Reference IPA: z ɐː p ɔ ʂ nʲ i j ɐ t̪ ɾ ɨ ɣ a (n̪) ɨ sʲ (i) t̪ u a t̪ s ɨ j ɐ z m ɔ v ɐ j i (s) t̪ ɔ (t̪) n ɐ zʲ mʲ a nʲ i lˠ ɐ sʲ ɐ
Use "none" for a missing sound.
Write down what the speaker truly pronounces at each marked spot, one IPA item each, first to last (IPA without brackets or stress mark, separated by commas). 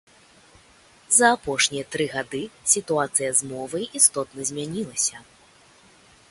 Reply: d̪, i, s, t̪